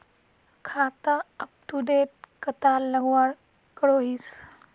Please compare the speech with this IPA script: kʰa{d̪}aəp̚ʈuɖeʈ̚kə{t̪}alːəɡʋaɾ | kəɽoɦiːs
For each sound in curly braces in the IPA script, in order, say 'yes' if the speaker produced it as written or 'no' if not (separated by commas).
no, yes